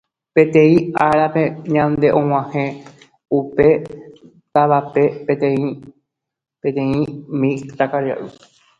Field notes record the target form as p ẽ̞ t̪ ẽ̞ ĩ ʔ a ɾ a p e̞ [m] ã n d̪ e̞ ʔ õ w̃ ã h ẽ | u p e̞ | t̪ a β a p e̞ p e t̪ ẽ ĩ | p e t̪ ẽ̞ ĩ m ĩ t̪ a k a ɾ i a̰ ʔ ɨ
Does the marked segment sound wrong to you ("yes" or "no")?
yes